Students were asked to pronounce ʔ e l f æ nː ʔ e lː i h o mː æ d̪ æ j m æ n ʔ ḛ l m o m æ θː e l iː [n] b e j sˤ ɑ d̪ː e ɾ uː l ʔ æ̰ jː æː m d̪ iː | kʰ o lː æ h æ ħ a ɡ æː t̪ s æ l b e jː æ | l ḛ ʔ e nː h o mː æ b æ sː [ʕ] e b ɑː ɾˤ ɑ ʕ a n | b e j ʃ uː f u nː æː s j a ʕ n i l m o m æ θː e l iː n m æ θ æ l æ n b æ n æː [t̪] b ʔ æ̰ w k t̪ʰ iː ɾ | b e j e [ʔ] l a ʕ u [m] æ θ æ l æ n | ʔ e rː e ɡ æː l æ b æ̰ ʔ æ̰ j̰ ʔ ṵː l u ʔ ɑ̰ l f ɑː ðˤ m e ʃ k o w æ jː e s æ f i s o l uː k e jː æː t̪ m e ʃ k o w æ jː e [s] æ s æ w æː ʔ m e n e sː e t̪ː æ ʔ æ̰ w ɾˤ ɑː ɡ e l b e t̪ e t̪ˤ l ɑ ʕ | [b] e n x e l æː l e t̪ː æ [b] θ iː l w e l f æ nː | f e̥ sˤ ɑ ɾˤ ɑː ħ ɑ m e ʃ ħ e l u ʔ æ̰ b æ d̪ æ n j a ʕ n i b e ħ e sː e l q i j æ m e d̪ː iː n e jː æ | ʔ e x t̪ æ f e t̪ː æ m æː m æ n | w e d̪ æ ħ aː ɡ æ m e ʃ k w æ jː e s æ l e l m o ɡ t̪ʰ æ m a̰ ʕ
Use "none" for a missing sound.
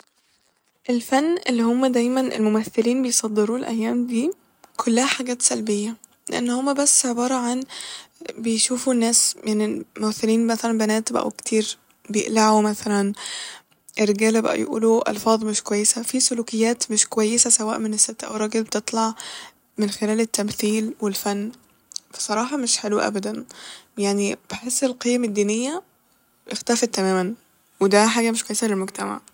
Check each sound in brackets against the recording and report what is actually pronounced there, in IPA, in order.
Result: n, ʕ, t̪, ʔ, m, s, m, m

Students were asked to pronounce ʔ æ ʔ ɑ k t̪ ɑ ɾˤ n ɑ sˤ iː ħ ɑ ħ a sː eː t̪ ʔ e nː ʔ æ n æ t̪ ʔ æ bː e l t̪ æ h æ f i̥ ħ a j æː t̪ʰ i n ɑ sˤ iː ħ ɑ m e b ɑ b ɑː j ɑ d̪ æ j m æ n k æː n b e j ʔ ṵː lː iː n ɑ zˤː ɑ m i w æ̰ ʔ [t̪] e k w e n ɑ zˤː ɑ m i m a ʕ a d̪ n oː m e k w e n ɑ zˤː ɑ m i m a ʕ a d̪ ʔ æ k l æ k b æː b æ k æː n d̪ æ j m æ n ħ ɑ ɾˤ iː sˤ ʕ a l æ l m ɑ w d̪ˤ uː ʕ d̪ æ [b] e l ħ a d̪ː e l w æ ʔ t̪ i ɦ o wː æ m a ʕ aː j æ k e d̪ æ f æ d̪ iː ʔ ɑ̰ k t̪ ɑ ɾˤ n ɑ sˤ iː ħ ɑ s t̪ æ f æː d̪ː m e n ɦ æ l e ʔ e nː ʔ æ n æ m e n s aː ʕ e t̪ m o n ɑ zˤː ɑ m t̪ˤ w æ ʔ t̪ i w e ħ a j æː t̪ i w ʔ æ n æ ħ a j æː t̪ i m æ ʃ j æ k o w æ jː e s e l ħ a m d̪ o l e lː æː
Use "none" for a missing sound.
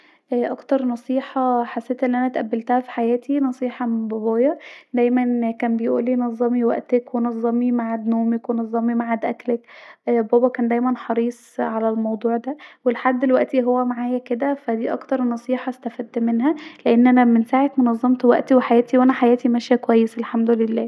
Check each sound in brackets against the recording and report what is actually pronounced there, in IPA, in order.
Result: t̪, w

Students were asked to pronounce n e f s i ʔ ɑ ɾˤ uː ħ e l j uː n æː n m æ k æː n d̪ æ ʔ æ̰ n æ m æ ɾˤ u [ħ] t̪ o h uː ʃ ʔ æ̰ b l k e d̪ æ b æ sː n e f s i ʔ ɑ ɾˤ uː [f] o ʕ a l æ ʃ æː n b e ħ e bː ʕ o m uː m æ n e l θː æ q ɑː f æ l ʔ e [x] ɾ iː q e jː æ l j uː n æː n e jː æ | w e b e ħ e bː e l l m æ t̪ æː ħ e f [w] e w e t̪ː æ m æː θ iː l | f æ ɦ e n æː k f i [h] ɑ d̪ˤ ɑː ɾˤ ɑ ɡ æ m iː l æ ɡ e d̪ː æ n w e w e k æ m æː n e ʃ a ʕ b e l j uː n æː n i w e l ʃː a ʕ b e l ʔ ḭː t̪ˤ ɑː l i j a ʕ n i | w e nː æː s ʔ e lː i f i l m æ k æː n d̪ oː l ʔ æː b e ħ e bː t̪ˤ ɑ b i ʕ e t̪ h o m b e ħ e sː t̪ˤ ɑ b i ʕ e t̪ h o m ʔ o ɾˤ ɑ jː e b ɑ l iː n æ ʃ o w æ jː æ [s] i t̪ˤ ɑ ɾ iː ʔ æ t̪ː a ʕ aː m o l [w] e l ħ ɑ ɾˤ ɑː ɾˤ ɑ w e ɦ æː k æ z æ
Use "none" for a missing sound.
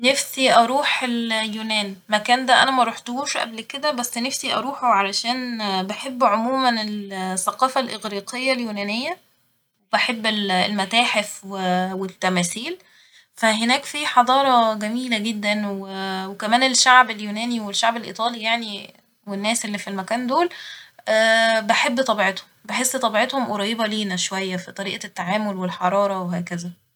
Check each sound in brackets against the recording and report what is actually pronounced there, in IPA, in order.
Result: ħ, ħ, ɣ, w, ħ, f, w

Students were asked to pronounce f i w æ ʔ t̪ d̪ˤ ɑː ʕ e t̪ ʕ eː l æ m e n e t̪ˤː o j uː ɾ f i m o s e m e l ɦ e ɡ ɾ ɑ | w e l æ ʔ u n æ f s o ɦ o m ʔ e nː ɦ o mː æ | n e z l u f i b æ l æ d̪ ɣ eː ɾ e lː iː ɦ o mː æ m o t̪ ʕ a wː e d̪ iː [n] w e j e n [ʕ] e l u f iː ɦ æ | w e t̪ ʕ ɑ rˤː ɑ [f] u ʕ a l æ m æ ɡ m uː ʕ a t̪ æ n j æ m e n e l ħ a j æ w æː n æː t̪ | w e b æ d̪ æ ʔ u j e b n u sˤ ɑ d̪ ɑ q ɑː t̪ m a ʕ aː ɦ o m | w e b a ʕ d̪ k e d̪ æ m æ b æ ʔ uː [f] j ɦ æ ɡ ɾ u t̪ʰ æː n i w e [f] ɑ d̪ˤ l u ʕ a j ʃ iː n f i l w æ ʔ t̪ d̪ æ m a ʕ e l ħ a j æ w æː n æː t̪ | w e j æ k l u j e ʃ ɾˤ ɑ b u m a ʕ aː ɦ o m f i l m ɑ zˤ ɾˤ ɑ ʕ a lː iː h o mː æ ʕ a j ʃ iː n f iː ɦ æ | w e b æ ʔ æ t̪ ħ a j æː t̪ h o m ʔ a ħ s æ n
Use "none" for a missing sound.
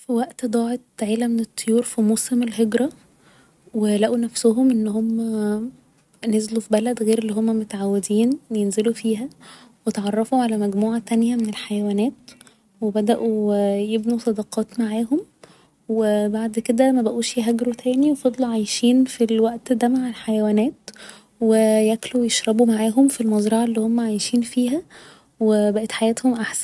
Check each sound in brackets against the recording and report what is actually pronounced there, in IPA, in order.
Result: n, z, f, ʃ, f

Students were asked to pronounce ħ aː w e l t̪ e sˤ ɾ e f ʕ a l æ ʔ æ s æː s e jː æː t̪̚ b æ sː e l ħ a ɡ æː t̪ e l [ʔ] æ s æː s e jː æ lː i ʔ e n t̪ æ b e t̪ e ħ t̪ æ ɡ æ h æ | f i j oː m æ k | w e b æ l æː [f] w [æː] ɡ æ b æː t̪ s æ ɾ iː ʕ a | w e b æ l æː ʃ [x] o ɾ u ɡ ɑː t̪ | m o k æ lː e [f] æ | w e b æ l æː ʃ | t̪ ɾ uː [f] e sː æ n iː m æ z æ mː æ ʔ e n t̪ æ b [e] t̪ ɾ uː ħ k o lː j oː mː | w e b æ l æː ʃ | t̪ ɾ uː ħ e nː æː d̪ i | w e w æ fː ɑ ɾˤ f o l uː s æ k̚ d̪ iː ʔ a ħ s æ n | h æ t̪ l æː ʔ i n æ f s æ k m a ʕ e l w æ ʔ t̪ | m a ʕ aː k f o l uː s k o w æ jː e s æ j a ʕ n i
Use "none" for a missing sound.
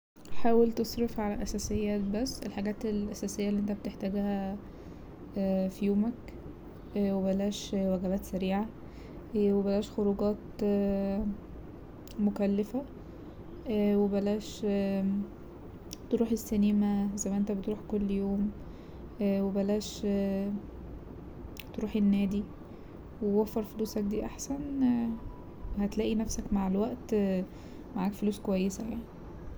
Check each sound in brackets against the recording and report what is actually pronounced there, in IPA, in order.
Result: ʔ, ʃ, æ, x, f, ħ, e

